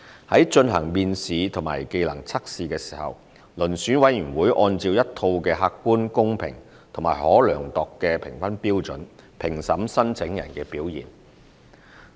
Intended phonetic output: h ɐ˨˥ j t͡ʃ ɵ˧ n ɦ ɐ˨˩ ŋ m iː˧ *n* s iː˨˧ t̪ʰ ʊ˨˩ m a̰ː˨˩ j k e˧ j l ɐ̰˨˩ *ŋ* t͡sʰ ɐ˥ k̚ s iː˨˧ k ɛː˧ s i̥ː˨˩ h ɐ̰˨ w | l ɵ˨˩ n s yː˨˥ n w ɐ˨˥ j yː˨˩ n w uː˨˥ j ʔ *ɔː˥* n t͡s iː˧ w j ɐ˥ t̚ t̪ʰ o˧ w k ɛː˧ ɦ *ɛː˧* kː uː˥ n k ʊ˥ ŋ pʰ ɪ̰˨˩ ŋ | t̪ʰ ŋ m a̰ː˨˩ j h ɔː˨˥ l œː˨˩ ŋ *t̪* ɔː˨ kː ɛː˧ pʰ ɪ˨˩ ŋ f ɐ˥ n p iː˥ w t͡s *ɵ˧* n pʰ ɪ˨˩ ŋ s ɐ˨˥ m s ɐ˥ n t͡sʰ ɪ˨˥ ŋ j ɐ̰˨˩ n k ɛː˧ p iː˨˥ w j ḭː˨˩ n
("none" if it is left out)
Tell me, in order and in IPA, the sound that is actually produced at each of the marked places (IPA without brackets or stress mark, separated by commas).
n, ŋ, ɔː˧, aː˧, t̪, ɵ˨˥